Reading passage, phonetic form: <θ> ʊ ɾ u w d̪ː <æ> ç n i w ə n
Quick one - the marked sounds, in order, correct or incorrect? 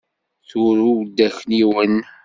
correct, correct

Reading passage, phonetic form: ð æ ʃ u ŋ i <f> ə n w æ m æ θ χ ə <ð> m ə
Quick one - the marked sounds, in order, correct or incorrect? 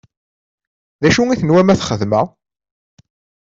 incorrect: θ, correct

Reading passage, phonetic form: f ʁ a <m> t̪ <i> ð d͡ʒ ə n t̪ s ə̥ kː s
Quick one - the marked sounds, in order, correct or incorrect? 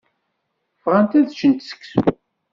incorrect: n, incorrect: æ

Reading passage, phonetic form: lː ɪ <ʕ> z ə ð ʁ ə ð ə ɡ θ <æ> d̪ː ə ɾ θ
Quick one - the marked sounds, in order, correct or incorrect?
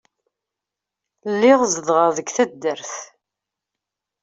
incorrect: ʁ, correct

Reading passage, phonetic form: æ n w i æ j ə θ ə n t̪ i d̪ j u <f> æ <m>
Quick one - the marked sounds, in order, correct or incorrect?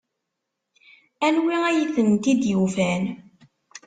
correct, incorrect: n

